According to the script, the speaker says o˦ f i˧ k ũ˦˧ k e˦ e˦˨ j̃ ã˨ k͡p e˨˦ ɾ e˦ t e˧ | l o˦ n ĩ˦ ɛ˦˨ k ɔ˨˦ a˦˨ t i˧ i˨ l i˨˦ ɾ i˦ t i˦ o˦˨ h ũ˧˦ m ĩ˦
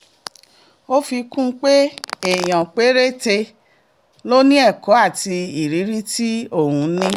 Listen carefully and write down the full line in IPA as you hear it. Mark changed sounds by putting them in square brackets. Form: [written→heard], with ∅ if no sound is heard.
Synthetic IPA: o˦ f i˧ k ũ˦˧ [k→k͡p] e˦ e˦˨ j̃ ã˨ k͡p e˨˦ ɾ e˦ t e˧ | l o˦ n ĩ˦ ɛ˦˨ k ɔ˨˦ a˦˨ t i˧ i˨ [l→ɾ] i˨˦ ɾ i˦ t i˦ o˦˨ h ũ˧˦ [m→n] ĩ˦